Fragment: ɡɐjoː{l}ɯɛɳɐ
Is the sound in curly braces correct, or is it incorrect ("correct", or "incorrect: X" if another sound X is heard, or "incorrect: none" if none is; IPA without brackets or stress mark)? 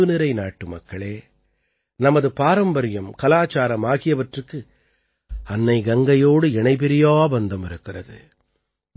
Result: incorrect: ɽ